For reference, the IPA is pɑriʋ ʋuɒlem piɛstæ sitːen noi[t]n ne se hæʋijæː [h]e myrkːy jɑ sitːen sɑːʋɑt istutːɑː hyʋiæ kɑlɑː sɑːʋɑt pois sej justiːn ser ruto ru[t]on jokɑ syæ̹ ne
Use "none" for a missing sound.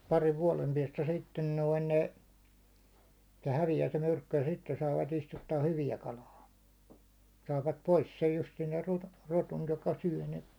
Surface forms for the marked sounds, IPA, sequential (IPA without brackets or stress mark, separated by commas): none, s, t